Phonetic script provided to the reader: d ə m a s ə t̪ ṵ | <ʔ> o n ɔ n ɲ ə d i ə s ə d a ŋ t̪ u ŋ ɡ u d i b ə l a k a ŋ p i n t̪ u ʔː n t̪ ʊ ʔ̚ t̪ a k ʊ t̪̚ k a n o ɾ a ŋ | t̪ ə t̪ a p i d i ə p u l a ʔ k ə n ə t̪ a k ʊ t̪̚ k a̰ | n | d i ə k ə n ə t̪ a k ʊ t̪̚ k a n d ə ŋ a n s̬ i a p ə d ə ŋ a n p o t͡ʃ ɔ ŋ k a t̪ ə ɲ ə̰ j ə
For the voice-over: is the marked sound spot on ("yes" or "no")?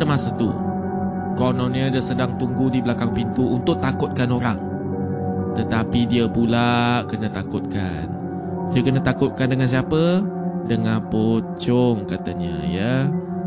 no